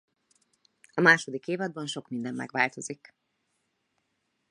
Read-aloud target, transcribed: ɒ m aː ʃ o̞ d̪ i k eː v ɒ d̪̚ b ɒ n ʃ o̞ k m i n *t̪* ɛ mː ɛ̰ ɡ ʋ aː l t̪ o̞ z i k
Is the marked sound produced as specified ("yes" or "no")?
no